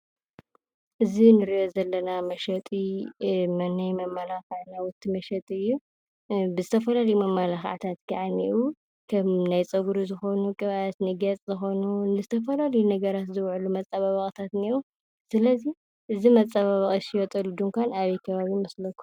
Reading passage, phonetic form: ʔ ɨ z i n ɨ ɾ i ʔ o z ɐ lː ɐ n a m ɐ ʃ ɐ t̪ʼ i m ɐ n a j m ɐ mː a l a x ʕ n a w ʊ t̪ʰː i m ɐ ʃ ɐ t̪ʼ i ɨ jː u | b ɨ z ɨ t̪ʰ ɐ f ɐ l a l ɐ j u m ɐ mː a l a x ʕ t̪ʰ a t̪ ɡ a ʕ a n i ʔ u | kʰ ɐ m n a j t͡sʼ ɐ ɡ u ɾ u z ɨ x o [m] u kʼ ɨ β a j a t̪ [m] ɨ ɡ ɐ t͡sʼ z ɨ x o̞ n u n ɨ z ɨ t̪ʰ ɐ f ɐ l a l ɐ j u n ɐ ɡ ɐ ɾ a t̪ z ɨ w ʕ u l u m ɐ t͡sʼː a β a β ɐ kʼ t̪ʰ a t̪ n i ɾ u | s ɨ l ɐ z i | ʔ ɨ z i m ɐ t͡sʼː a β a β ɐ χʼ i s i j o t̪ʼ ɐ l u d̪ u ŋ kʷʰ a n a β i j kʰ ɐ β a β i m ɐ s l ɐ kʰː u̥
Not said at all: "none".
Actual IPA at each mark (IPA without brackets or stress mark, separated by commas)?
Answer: n, n